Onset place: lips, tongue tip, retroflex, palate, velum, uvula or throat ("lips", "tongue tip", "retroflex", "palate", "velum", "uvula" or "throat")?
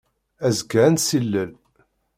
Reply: tongue tip